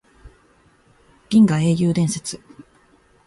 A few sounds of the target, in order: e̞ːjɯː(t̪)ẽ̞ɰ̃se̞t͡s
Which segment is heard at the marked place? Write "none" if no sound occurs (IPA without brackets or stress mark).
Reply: d̪